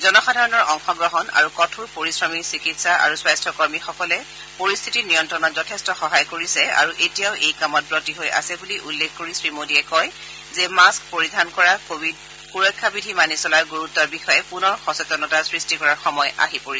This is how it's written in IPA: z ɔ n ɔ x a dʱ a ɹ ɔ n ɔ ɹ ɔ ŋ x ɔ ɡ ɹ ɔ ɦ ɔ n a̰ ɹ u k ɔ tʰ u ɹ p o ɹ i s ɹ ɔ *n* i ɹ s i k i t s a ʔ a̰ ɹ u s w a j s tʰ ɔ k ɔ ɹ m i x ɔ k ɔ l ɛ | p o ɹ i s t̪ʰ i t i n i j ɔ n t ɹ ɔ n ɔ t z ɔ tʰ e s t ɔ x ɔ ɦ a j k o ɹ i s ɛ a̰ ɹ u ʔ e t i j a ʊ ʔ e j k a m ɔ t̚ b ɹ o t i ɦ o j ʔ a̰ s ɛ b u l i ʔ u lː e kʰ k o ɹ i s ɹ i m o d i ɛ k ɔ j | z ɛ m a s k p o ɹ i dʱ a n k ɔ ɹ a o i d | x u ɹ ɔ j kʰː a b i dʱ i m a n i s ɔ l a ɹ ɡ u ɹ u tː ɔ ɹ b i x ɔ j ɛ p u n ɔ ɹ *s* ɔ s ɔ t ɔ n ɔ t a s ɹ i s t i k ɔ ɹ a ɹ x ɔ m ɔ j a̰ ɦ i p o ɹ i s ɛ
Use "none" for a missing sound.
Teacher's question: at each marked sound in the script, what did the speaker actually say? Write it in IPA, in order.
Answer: m, x

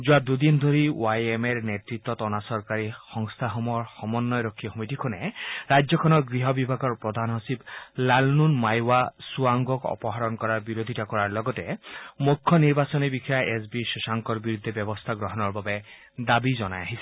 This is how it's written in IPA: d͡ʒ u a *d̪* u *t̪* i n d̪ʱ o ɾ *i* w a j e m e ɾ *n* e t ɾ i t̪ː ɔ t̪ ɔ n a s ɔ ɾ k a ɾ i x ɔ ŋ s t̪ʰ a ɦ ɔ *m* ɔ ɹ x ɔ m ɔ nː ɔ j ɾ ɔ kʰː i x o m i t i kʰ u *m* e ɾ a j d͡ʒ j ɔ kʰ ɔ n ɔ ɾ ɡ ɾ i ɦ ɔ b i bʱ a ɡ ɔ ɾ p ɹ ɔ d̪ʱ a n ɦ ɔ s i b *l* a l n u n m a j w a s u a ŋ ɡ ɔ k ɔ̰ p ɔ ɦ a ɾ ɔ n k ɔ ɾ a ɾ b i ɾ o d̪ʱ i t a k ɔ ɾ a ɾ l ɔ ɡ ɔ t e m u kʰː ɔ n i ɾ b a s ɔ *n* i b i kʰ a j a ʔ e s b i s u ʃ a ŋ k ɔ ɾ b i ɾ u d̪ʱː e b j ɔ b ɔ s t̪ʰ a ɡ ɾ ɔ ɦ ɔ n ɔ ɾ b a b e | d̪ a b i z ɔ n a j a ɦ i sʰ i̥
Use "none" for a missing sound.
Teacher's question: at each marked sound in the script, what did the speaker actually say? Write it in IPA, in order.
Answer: d̪, d̪, i, n, m, n, l, n

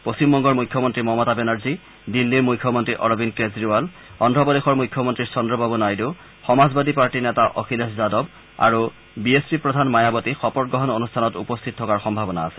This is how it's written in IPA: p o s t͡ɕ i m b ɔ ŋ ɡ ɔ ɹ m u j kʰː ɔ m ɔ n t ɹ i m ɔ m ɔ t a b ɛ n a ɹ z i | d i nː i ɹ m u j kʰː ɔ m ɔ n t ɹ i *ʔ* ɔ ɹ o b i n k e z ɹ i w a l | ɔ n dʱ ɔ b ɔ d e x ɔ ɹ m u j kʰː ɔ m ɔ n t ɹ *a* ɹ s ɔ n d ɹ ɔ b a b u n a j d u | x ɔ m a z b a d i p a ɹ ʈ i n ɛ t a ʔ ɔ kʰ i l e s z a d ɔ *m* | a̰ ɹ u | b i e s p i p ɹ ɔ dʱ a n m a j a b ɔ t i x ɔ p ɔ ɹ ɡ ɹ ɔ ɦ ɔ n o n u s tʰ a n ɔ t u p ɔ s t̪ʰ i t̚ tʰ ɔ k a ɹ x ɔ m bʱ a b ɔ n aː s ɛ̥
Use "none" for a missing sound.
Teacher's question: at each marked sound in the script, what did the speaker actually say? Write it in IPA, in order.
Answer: ʔ, i, b

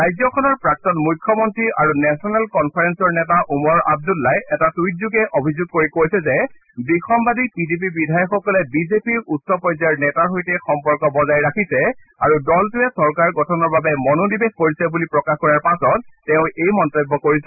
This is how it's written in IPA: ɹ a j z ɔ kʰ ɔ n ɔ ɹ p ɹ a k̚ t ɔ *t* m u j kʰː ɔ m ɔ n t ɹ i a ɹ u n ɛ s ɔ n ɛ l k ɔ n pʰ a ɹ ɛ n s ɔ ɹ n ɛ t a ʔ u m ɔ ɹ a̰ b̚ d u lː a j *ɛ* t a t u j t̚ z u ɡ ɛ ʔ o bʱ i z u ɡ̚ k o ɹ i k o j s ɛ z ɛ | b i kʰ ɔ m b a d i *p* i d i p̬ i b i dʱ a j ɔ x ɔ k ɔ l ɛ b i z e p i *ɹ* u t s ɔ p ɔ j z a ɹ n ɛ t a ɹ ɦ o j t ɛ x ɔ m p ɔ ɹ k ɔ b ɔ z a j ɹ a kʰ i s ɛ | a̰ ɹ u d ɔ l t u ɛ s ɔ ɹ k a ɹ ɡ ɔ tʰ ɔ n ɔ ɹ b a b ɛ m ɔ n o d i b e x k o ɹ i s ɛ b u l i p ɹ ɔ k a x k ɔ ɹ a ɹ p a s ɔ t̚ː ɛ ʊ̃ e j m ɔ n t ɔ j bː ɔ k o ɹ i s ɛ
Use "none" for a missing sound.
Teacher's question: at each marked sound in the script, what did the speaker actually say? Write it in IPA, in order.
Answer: t, ɛ, p, ɹ

